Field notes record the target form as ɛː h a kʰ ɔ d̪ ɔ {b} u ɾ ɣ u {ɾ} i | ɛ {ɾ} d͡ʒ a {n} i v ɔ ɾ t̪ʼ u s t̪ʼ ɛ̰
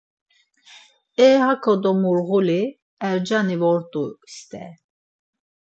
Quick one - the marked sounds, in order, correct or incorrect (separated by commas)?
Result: incorrect, incorrect, correct, correct